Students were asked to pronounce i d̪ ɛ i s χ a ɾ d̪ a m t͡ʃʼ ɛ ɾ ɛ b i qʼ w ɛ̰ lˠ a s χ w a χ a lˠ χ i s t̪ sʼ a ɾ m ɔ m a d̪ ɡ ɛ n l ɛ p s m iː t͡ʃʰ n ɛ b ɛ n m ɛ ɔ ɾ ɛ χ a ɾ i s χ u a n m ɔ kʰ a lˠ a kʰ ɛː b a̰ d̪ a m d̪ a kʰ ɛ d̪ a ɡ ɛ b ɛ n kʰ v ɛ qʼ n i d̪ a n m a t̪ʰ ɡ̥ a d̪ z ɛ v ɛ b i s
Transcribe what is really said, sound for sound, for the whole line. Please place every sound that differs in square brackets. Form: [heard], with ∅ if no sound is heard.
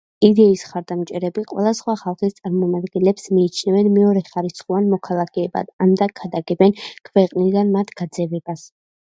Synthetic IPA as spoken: i d̪ ɛ i s χ a ɾ d̪ a m t͡ʃʼ ɛ ɾ ɛ b i qʼ w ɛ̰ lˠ a s χ w a χ a lˠ χ i s t̪ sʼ a ɾ m ɔ m a d̪ ɡ ɛ n l ɛ p s m iː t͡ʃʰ n ɛ [v] ɛ n m ɛ ɔ ɾ ɛ χ a ɾ i s χ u a n m ɔ kʰ a lˠ a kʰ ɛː b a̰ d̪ a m d̪ a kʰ [a] d̪ a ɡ ɛ b ɛ n kʰ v ɛ qʼ n i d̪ a n m a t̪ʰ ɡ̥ a d̪ z ɛ v ɛ b [a] s